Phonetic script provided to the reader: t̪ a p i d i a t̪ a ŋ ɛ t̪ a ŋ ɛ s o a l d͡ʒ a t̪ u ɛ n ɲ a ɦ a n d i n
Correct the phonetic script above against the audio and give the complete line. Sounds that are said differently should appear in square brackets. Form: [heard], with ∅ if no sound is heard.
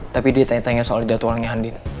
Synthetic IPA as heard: t̪ a p i d i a t̪ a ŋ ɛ t̪ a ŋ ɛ s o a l d͡ʒ a t̪ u [a] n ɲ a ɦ a n d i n

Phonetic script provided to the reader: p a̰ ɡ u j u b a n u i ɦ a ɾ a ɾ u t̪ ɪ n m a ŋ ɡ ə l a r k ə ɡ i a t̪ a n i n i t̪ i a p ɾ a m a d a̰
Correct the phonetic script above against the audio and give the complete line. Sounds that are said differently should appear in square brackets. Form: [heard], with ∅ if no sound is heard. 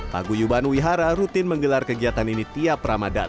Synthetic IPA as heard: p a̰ ɡ u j u b a n [w] i ɦ a ɾ a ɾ u t̪ ɪ n m [ə] ŋ ɡ ə l a r k ə ɡ i a t̪ a n i n i t̪ i a p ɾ a m a d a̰

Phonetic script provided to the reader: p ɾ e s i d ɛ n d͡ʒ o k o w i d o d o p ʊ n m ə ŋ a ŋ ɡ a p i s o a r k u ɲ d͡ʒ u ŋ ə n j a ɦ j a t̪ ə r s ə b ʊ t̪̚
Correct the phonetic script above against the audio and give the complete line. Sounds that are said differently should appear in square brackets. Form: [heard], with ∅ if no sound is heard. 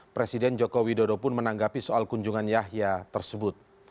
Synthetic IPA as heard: p ɾ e s i d ɛ n d͡ʒ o k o w i d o d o p ʊ n m ə [n] a ŋ ɡ a p i s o a [l] k u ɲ d͡ʒ u ŋ [a] n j a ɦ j a t̪ ə r s ə b ʊ t̪̚

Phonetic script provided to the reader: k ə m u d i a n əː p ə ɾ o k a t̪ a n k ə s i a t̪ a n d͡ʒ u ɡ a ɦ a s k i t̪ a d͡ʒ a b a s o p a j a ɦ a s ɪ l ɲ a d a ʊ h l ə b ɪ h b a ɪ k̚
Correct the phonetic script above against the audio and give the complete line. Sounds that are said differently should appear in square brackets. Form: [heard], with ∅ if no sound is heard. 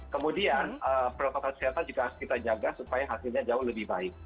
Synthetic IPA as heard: k ə m u d i a n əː p ə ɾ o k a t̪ a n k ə s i a t̪ a n d͡ʒ u ɡ a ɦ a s k i t̪ a d͡ʒ a [ɡ] a s [u] p a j a ɦ a s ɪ l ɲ a [d͡ʒ] a ʊ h l ə b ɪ h b a ɪ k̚

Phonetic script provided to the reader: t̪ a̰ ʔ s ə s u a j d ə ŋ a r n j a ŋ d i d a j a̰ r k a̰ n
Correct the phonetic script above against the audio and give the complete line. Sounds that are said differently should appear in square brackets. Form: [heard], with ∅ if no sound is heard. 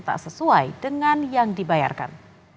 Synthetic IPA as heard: t̪ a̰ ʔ s ə s u a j d ə ŋ a [∅] n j a ŋ d i [b] a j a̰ r k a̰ n

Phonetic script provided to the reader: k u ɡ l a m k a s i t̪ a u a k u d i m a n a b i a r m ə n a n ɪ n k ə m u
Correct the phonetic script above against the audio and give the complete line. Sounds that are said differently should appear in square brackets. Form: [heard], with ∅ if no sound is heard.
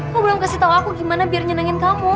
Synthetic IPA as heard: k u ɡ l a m k a s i t̪ a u a k u [ɡ] i m a n a b i a r [ɲ] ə n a [ŋ] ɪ n k [a] m u

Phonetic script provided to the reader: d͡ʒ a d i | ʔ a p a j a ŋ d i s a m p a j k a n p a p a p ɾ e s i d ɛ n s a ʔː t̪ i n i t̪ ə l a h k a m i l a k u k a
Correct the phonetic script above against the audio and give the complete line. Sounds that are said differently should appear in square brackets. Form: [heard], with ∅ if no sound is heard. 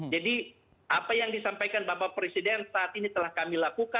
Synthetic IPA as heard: d͡ʒ a d i | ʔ a p a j a ŋ d i s a m p a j k a n [b] a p a p ɾ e s i d ɛ n s a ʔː t̪ i n i t̪ ə l a h k a m i l a k u k a

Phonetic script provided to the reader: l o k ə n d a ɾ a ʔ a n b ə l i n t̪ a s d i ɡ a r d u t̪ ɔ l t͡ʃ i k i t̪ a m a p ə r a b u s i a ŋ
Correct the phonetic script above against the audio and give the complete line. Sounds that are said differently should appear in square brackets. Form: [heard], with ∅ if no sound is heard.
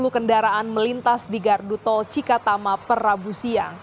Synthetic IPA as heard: l [u] k ə n d a ɾ a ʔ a n [m] ə l i n t̪ a s d i ɡ a r d u t̪ ɔ l t͡ʃ i k [a] t̪ a m a p ə r a b u s i a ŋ

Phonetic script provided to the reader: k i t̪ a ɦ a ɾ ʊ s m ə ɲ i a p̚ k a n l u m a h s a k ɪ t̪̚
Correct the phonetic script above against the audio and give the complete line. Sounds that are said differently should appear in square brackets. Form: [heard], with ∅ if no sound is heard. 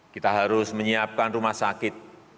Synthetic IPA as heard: k i t̪ a ɦ a ɾ ʊ s m ə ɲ i a p̚ k a n [r] u m a h s a k ɪ t̪̚

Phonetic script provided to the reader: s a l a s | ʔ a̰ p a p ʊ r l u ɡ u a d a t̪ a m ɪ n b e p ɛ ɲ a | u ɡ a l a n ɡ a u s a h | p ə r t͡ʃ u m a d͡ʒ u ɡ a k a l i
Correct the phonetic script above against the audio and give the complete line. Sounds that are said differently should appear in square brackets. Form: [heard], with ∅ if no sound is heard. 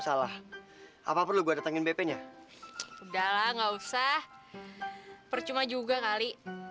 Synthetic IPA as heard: s a l a [h] | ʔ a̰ p a p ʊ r l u ɡ u a d a t̪ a [ŋ] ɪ n b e p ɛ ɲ a | u [d] a l a [ŋ] ɡ a u s a h | p ə r t͡ʃ u m a d͡ʒ u ɡ a k a l i

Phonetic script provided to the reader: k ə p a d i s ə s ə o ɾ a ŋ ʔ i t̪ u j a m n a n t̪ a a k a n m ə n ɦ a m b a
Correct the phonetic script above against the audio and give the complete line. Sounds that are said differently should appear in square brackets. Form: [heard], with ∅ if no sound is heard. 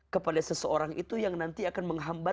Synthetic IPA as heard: k ə p a d [a] s ə s ə o ɾ a ŋ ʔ i t̪ u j a [ŋ] n a n t̪ [i] a k a n m ə [ŋ] ɦ a m b a

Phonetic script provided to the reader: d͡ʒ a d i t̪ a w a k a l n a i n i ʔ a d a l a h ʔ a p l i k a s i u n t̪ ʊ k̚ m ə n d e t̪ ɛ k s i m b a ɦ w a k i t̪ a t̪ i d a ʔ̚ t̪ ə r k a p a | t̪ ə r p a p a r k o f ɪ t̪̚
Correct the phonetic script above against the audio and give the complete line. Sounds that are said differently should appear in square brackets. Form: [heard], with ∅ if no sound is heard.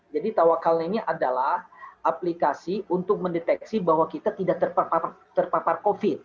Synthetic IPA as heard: d͡ʒ a d i t̪ a w a k a l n a i n i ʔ a d a l a h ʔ a p l i k a s i u n t̪ ʊ k̚ m ə n d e t̪ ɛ k s i [∅] b a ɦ w a k i t̪ a t̪ i d a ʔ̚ t̪ ə r [p] a p a | t̪ ə r p a p a r k o f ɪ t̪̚

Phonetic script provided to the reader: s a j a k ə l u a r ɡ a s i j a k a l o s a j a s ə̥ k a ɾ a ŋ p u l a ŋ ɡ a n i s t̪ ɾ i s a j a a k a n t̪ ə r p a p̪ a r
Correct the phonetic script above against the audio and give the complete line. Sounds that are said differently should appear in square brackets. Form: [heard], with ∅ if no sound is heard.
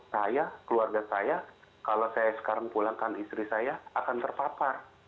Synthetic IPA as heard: s a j a k ə l u a r ɡ a s [a] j a k a l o s a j a s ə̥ k a ɾ a ŋ p u l a ŋ [k] a n i s t̪ ɾ i s a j a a k a n t̪ ə r p a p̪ a r

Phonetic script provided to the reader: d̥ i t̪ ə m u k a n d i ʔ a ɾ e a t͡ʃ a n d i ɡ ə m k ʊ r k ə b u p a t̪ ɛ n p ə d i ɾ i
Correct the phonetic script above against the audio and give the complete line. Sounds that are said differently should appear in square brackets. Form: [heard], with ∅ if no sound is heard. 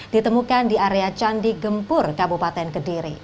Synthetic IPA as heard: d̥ i t̪ ə m u k a n d i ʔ a ɾ e a t͡ʃ a n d i ɡ ə m [p] ʊ r k [a] b u p a t̪ ɛ n [k] ə d i ɾ i

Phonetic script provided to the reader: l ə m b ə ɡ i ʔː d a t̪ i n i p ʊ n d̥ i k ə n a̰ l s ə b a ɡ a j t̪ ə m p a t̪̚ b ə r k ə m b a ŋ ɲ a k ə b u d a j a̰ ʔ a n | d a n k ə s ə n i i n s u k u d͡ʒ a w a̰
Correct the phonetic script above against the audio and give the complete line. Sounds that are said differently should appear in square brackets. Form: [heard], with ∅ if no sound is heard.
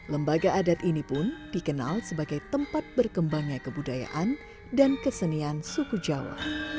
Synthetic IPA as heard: l ə m b [a] ɡ [a] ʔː d a t̪ i n i p ʊ n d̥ i k ə n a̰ l s ə b a ɡ a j t̪ ə m p a t̪̚ b ə r k ə m b a ŋ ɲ a k ə b u d a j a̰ ʔ a n | d a n k ə s ə n i [a] n s u k u d͡ʒ a w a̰

